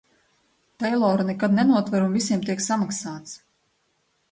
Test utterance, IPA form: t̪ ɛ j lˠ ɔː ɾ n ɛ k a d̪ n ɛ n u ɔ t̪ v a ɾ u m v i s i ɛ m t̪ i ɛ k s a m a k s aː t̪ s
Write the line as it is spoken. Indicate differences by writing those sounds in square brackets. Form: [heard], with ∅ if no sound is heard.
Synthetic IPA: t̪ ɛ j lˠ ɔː ɾ n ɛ k a d̪ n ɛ n u ɔ t̪ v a ɾ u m v i s i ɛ m t̪ i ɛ k s a m a k s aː t̪ s